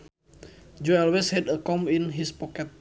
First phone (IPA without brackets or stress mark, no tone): d͡ʒ